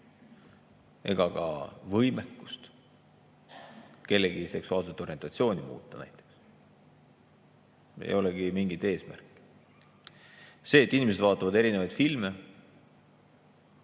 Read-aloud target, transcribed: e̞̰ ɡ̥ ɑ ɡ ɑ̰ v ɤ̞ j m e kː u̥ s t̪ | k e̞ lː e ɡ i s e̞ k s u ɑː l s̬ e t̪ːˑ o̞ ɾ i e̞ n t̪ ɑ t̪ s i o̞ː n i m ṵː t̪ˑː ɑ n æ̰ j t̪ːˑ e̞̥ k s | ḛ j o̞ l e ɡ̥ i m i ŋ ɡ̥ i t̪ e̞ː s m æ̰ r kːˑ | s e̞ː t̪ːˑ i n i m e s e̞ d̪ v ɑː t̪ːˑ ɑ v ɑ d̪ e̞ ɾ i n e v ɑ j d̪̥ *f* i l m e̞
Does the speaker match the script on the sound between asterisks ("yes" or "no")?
yes